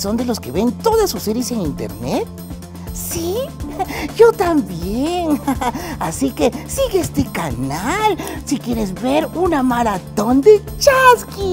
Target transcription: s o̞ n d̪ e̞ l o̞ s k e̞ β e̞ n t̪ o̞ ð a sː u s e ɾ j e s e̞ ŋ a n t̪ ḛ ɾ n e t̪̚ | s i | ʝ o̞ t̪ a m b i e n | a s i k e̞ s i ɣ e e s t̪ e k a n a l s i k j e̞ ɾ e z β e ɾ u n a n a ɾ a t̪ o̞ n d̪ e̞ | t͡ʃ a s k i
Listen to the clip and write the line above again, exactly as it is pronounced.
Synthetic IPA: s o̞ n d̪ e̞ l o̞ s k e̞ β e̞ n t̪ o̞ ð a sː u s e ɾ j e s e̞ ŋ i n t̪ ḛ ɾ n e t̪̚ | s i | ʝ o̞ t̪ a m b j e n | a s i k e̞ s i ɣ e e s t̪ e k a n a l s i k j e̞ ɾ e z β e ɾ u n a m a ɾ a t̪ o̞ n d̪ e̞ | t͡ʃ a s k i

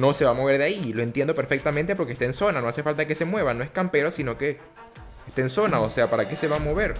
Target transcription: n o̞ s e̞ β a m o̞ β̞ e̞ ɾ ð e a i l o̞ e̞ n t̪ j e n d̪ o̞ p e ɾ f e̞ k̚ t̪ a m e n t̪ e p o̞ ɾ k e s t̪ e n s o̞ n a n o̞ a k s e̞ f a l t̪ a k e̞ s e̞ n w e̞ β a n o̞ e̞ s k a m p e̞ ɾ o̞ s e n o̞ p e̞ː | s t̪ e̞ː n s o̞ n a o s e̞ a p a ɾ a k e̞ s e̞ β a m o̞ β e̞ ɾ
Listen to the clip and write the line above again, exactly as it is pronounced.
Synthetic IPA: n o̞ s e̞ β a m o̞ β̞ e̞ ɾ ð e a i l o̞ e̞ n t̪ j e n d̪ o̞ p e ɾ f e̞ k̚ t̪ a m e n t̪ e p o̞ ɾ k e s t̪ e n s o̞ n a n o̞ a s e̞ f a l t̪ a k e̞ s e̞ m w e̞ β a n o̞ e̞ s k a m p e̞ ɾ o̞ s i n o̞ k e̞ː | s t̪ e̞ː n s o̞ n a o s e̞ a p a ɾ a k e̞ s e̞ β a m o̞ β e̞ ɾ

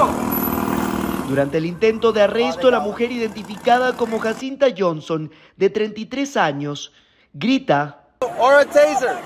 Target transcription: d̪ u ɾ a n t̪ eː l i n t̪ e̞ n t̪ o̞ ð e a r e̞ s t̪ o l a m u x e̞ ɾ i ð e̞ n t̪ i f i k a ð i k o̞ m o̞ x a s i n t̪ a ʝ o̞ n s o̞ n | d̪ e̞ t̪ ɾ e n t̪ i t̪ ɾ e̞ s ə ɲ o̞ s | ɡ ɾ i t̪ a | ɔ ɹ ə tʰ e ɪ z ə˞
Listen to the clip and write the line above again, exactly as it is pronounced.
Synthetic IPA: d̪ u ɾ a n t̪ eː l i n t̪ e̞ n t̪ o̞ ð e a r e̞ s t̪ o l a m u x e̞ ɾ i ð e̞ n t̪ i f i k a ð a k o̞ m o̞ x a s i n t̪ a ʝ o̞ n s o̞ n | d̪ e̞ t̪ ɾ e n t̪ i t̪ ɾ e̞ s a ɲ o̞ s | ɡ ɾ i t̪ a | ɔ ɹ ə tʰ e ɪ z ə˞

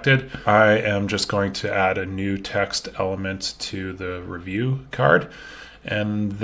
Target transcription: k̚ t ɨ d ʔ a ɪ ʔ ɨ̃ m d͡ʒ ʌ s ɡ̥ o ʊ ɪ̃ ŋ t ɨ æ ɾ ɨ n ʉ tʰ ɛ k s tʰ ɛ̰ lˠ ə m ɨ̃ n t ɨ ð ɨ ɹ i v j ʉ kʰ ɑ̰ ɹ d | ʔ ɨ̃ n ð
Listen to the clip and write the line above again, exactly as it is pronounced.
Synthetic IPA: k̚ t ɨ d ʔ a ɪ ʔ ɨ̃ m d͡ʒ ʌ s ɡ̥ o ʊ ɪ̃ ŋ tʰ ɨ æ ɾ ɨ n ʉ tʰ ɛ k s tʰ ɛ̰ lˠ ə m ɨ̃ n tʰ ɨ ð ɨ ɹ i v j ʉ kʰ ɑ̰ ɹ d | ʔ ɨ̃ n ð

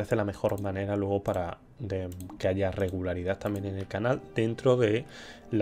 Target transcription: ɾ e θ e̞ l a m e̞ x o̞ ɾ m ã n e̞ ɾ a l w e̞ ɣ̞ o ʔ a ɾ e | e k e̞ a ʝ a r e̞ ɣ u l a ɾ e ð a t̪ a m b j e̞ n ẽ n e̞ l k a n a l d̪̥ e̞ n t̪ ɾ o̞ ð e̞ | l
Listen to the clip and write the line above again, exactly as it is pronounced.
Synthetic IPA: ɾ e θ e̞ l a m e̞ x o̞ ɾ m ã n e̞ ɾ a l w e̞ ɣ̞ o p a ɾ a | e k e̞ a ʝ a r e̞ ɣ u l a ɾ i ð a t̪ a m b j e̞ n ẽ n e̞ l k a n a l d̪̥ e̞ n t̪ ɾ o̞ ð e̞ | l

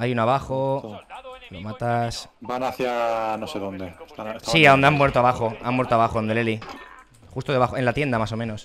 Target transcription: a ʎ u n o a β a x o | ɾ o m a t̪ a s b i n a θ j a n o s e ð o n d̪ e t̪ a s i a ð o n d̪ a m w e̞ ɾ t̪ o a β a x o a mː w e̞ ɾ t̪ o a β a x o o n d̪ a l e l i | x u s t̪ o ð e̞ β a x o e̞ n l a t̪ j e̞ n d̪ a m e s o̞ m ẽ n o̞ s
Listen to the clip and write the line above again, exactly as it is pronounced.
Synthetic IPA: a j u n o a β a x o | l o m a t̪ a s b a n a θ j a n o s e ð o n d̪ e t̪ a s i a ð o n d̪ a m w e̞ ɾ t̪ o a β a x o a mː w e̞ ɾ t̪ o a β a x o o n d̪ e l e l i | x u s t̪ o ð e̞ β a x o e̞ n l a t̪ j e̞ n d̪ a m a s o̞ m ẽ n o̞ s

